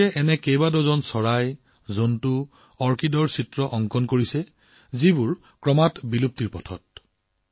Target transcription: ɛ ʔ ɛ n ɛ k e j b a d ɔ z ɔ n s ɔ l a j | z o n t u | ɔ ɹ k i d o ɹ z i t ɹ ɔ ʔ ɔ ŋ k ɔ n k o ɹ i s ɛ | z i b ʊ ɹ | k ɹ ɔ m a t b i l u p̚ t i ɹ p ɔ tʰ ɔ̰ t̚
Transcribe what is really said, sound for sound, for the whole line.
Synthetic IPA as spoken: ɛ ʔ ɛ n ɛ k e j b a d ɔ z ɔ n s ɔ ɹ a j | z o n t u | ɔ ɹ k i d ɔ ɹ s i t ɹ ɔ ʔ ɔ ŋ k ɔ n k o ɹ i s ɛ | z i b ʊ ɹ | k ɹ ɔ m a t b i l u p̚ t i ɹ p ɔ tʰ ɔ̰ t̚